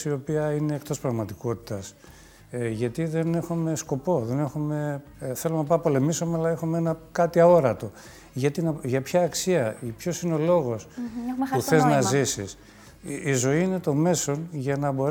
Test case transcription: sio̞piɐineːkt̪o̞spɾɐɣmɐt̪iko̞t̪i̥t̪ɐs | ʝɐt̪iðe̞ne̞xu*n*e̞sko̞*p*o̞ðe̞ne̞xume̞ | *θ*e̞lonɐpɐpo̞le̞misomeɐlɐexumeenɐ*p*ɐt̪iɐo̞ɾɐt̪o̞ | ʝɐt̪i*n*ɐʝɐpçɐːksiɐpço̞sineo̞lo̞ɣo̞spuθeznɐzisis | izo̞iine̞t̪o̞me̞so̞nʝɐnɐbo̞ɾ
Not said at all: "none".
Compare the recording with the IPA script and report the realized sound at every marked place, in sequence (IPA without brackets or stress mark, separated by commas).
m, p, θ, k, n